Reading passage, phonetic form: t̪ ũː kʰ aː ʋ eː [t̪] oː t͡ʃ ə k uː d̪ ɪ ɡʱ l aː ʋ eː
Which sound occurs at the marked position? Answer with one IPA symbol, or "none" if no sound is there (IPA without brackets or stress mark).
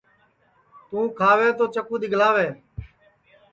t̪